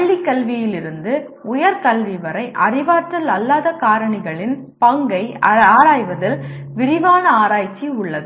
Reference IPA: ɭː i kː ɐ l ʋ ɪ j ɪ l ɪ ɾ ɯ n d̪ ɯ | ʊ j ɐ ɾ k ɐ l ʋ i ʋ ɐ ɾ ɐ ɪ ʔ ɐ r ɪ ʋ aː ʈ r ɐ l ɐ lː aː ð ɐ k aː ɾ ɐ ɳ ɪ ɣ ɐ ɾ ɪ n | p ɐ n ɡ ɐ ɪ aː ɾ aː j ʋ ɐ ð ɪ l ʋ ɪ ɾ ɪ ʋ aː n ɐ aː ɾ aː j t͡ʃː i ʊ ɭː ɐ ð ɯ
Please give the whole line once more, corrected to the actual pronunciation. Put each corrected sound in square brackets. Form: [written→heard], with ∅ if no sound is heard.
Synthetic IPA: ɭː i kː ɐ l ʋ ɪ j ɪ l ɪ ɾ ɯ n d̪ ɯ | ʊ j ɐ ɾ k ɐ l ʋ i ʋ ɐ ɾ ɐ ɪ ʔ ɐ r ɪ ʋ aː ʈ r ɐ l ɐ lː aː ð ɐ k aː ɾ ɐ ɳ ɪ ɣ ɐ [ɾ→ɭ] ɪ n | p ɐ [n→ŋ] ɡ ɐ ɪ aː ɾ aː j ʋ ɐ ð ɪ l ʋ ɪ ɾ ɪ ʋ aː n ɐ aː ɾ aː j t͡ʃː i ʊ ɭː ɐ ð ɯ